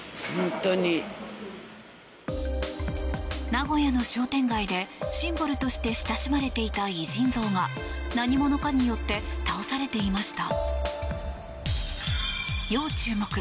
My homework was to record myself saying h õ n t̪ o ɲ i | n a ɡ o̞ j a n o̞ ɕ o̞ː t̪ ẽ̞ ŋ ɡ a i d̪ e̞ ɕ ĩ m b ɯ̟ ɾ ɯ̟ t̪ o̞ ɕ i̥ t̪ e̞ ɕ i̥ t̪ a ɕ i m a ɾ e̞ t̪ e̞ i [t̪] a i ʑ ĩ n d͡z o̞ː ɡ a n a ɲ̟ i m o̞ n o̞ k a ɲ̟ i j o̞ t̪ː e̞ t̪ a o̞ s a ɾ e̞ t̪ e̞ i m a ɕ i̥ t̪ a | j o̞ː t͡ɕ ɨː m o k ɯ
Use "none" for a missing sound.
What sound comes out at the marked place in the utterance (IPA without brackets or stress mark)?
t̪